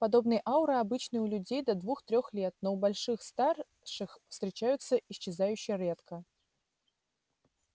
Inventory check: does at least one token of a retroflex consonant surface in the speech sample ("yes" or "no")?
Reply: yes